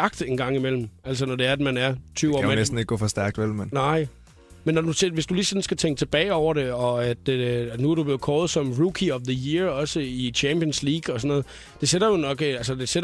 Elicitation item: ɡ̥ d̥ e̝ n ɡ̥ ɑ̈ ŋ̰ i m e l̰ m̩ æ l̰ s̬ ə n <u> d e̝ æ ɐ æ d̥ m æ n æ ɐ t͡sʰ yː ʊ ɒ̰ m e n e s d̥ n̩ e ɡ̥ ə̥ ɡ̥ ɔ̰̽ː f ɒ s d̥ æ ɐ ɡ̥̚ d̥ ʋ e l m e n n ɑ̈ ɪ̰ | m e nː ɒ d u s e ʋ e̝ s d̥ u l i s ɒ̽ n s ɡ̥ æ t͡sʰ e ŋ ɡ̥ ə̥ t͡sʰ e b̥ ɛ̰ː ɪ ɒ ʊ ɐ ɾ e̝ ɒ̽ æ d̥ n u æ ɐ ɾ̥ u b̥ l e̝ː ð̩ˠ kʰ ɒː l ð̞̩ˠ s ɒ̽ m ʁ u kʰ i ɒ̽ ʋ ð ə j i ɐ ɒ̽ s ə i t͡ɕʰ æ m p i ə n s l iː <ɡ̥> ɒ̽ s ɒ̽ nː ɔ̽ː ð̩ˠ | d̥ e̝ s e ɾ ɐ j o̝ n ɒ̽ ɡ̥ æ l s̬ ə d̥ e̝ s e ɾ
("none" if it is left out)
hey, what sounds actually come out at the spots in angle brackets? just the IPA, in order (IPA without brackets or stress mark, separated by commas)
ɒ, ɡ̥